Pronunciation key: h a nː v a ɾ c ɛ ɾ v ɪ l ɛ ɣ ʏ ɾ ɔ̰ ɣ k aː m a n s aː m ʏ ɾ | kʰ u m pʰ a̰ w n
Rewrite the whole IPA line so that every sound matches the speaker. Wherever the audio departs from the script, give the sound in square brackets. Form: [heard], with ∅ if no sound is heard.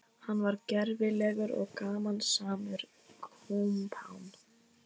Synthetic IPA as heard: h a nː v a ɾ c ɛ ɾ v ɪ l ɛ ɣ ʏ ɾ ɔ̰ ɣ k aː m a n s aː m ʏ ɾ | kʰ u m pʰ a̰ w n